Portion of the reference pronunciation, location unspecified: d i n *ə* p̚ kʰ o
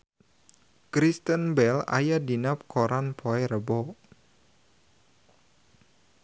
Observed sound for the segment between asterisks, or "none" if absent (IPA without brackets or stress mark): a